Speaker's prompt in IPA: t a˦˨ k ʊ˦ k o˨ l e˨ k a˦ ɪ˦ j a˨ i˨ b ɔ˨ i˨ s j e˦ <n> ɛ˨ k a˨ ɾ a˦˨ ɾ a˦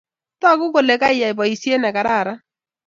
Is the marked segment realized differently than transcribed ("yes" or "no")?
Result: no